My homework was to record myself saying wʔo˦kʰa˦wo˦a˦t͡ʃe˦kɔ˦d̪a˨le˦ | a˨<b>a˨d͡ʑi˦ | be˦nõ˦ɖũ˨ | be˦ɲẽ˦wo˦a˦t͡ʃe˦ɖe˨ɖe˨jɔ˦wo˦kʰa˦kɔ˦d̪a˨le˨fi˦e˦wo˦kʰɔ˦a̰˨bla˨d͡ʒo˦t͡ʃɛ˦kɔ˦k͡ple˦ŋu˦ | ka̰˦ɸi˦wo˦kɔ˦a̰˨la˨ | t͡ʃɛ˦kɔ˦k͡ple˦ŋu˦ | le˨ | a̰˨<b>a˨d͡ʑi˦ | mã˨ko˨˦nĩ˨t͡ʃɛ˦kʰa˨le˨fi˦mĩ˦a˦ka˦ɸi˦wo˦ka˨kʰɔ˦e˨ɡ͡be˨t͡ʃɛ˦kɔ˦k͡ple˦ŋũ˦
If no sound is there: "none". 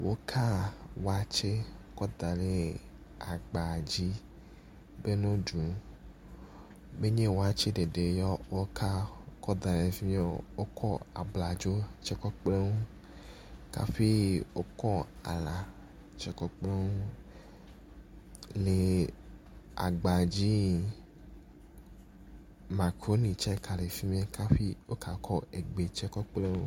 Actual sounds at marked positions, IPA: ɡ͡b, ɡ͡b

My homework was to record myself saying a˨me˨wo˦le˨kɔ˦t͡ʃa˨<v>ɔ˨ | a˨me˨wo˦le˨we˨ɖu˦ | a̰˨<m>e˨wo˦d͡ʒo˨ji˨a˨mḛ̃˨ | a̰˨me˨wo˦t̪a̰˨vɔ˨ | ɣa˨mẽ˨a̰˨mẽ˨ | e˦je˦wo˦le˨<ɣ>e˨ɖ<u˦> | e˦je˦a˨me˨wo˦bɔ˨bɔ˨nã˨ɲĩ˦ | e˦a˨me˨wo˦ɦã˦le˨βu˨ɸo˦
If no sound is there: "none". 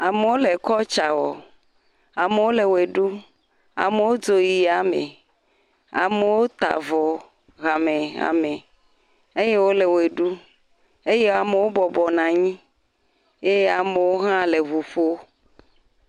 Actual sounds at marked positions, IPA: w, m, w, u˦

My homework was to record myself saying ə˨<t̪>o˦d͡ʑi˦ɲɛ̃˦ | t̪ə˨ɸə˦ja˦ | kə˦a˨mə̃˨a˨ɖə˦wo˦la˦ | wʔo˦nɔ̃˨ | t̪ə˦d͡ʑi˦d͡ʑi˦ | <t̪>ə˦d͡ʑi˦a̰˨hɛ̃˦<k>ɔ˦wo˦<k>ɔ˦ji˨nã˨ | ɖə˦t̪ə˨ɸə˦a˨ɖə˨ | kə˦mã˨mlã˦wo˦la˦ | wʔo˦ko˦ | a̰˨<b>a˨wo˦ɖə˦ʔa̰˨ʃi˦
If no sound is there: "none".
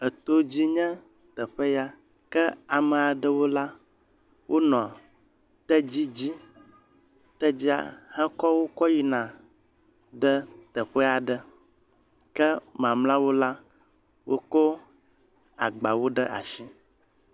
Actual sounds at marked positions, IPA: t̪, t̪, k, k, ɡ͡b

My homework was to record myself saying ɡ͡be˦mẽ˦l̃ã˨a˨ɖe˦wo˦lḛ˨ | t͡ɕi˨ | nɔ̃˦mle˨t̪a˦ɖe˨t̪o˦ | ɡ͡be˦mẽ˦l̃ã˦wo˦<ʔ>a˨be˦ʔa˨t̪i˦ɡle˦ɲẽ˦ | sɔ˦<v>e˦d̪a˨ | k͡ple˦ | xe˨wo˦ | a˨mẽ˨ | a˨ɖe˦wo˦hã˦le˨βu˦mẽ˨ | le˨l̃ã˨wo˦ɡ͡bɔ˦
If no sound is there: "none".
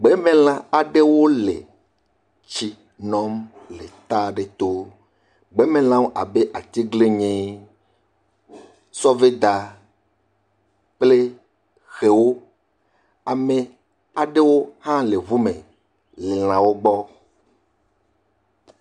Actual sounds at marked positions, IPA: ʔ, v

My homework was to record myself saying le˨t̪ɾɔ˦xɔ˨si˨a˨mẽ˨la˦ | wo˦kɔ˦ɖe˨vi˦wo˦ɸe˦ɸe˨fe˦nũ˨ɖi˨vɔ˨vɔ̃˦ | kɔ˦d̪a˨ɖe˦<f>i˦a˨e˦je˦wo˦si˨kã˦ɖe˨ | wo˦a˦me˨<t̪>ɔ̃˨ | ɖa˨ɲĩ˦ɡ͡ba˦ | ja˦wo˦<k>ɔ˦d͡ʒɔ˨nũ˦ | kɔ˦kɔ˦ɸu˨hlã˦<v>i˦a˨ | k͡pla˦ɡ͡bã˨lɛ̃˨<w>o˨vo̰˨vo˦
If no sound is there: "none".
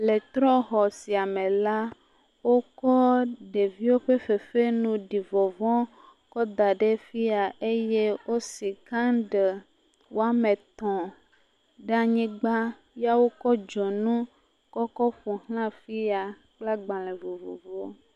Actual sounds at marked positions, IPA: f, t̪, k, f, v

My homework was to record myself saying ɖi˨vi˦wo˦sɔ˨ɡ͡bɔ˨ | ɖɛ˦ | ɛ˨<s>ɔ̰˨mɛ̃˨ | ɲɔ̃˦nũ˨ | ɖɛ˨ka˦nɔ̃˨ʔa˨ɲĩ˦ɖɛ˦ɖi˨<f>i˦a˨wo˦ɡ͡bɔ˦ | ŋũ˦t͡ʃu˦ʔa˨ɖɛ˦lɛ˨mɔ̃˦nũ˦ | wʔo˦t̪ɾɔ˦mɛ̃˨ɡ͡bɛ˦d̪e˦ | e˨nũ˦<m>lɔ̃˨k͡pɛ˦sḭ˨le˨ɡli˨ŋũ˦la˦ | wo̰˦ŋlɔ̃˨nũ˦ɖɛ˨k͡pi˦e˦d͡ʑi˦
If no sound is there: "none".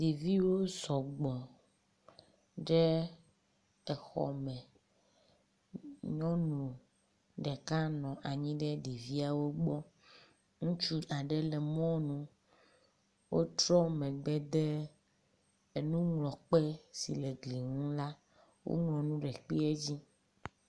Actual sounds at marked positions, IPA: x, v, ŋ

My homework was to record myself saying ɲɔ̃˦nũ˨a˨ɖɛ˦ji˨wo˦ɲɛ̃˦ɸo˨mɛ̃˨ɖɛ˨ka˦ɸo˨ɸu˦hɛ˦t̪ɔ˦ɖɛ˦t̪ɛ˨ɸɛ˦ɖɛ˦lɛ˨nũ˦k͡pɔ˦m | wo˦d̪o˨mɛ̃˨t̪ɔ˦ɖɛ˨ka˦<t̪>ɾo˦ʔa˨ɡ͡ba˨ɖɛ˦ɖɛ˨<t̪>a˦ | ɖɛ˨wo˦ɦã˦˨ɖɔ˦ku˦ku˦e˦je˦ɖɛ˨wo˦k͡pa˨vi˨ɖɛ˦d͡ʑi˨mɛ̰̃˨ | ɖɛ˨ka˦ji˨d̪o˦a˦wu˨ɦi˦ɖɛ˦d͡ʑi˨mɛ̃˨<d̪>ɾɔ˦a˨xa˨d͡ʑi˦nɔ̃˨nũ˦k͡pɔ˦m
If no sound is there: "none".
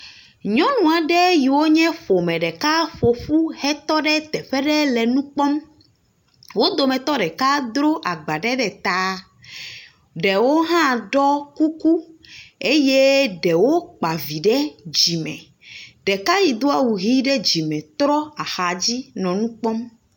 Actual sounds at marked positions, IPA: d̪, t̪, t̪

